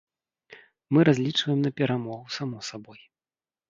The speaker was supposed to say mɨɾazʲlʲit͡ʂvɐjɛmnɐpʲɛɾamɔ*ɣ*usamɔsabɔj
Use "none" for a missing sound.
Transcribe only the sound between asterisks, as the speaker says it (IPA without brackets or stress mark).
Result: ɣ